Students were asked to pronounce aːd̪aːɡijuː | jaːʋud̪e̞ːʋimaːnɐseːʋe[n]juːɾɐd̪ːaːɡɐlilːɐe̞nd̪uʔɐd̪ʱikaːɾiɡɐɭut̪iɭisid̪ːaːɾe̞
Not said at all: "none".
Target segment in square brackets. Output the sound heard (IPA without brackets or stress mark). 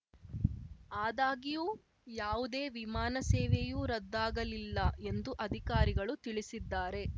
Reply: none